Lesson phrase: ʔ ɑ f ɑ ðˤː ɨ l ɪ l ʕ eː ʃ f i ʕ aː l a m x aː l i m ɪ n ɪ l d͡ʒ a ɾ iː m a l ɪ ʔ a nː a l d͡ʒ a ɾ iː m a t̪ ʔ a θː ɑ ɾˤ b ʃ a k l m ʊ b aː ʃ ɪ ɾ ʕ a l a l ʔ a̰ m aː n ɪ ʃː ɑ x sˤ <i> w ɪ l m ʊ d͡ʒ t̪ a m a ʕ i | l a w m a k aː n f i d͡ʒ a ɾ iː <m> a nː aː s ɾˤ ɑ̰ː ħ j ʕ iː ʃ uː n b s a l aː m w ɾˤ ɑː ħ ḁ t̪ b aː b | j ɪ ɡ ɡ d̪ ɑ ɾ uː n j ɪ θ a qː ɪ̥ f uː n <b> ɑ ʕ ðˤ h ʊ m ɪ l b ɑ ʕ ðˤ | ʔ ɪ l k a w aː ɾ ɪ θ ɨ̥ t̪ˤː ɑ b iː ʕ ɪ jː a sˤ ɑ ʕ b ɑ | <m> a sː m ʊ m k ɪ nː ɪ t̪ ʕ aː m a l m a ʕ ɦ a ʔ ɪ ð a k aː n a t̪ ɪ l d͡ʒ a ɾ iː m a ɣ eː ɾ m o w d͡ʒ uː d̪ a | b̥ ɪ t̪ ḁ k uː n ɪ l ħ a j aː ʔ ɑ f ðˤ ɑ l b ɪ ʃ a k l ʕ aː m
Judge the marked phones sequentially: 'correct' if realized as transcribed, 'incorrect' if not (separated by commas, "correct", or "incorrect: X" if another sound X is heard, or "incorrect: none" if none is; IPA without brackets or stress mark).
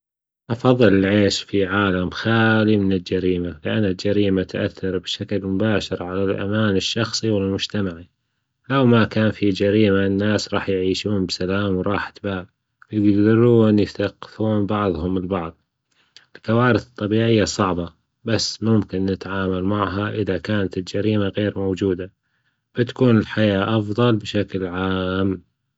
correct, correct, correct, incorrect: b